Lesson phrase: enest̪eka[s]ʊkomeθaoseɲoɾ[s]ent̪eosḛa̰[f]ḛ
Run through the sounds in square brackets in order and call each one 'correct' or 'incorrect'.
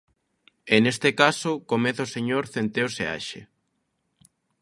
correct, incorrect: θ, incorrect: ʃ

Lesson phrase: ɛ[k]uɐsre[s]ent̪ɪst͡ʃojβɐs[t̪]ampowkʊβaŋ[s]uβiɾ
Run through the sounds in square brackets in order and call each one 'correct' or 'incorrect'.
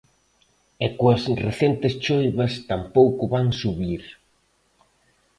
correct, incorrect: θ, correct, correct

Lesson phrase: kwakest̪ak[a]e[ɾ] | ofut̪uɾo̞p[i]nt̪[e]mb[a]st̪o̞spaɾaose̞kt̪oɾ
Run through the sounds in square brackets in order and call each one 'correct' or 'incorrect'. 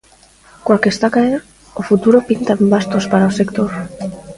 correct, correct, correct, incorrect: a, correct

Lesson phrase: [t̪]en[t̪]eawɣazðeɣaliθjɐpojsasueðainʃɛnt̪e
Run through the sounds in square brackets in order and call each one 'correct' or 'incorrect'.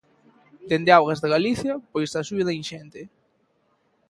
incorrect: d̪, incorrect: d̪

